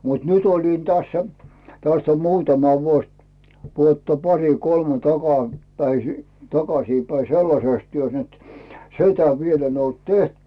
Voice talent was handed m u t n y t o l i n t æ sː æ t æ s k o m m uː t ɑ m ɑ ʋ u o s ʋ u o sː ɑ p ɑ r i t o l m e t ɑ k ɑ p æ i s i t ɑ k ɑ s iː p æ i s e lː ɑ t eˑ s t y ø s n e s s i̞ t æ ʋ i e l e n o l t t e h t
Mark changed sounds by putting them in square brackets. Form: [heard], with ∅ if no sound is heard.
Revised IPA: m u t n y t o l i n t æ sː æ t æ s [t] o m m uː t ɑ m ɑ ʋ u o s ʋ u o [tː] ɑ p ɑ r i [k] o l m e t ɑ k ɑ p æ i s i t ɑ k ɑ s iː p æ i s e lː ɑ [s] eˑ s t y ø s n e [t] s i̞ t æ ʋ i e l e n o l t t e h t